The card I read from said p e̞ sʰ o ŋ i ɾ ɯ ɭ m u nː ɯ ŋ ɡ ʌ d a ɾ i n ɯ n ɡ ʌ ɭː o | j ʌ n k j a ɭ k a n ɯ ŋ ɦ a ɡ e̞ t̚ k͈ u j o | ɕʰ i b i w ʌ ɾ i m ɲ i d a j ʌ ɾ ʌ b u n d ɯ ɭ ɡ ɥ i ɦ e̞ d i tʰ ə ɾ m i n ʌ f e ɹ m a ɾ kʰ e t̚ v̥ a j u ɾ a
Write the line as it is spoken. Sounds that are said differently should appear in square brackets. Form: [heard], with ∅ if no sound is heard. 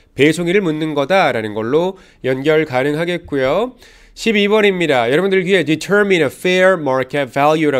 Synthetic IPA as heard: p e̞ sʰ o ŋ i ɾ ɯ ɭ m u nː ɯ [n] ɡ ʌ d a ɾ [a] n ɯ n ɡ ʌ ɭː o | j ʌ n [ɡ] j [ʌ] ɭ k a n ɯ ŋ ɦ a ɡ e̞ t̚ k͈ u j o | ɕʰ i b i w ʌ ɾ i m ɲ i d a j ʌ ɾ ʌ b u n d ɯ ɭ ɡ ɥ i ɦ e̞ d i tʰ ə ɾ m i n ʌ f e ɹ m a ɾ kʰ e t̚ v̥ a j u ɾ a